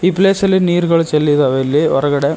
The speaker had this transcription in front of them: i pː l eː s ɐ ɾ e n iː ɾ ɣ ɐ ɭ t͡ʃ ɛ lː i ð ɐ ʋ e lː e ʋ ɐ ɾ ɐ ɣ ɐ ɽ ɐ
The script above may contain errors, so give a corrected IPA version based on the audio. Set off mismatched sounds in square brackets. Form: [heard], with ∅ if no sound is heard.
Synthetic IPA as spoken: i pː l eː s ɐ [l] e n iː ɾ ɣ ɐ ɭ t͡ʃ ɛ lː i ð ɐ ʋ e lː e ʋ ɐ ɾ ɐ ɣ ɐ ɽ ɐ